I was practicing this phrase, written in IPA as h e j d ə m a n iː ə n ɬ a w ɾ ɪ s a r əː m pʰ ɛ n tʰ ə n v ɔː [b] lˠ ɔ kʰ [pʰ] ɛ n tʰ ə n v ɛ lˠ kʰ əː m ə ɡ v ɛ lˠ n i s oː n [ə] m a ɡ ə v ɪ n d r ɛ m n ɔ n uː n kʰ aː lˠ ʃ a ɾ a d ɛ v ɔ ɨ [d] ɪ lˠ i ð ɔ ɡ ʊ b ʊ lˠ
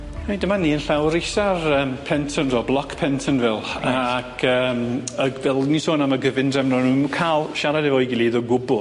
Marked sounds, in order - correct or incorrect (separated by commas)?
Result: correct, correct, incorrect, incorrect